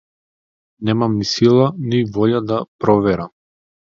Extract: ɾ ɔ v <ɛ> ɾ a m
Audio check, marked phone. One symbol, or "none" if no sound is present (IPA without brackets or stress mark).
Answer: ɛ